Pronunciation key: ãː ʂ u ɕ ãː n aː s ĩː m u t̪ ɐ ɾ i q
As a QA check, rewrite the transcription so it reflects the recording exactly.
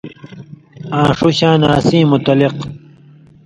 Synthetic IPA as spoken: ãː ʂ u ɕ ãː n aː s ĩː m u t̪ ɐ l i q